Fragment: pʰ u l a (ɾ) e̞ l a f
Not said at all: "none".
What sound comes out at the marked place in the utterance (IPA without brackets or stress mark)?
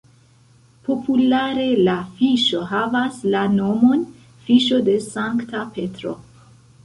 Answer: ɾ